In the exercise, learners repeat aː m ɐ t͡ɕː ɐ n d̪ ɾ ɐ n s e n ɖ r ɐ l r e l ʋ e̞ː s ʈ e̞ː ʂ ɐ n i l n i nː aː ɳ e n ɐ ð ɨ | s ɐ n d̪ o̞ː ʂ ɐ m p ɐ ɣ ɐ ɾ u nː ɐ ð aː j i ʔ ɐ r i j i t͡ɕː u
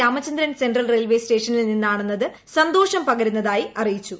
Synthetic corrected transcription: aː m ɐ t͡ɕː ɐ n d̪ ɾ ɐ n s e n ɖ r ɐ l r e l ʋ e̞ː s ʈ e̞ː ʂ ɐ n i l n i nː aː ɳ e nː ɐ ð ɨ | s ɐ n d̪ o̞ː ʂ ɐ m p ɐ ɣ ɐ ɾ u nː ɐ ð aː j i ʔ ɐ r i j i t͡ɕː u